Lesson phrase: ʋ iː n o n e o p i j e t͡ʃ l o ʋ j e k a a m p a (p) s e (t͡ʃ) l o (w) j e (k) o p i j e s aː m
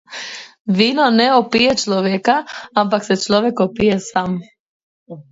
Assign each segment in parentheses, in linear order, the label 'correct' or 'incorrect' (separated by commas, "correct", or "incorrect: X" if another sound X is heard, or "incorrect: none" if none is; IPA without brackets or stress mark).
incorrect: k, correct, incorrect: ʋ, correct